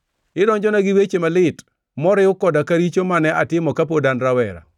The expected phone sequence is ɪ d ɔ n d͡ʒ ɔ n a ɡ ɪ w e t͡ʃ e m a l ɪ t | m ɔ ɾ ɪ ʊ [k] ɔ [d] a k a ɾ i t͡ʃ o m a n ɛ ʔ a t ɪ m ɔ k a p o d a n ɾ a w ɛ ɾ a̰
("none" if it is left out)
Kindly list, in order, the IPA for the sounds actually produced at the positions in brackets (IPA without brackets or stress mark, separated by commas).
k, d